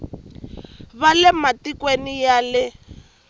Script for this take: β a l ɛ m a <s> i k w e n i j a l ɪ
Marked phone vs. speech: incorrect: t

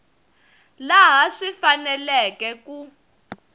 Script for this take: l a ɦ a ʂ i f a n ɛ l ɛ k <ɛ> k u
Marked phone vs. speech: correct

